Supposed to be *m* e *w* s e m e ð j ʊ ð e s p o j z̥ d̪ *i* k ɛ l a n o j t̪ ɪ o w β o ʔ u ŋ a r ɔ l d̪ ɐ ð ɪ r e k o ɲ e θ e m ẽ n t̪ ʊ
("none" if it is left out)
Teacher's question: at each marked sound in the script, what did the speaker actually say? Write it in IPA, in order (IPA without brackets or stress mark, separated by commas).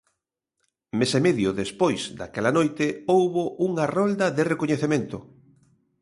m, none, a